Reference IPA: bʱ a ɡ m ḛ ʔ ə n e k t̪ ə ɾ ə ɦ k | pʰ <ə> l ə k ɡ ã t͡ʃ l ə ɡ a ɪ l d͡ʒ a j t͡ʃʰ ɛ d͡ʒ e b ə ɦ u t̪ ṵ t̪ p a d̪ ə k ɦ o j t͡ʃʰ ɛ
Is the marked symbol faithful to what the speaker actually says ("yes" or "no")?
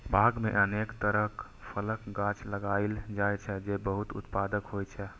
yes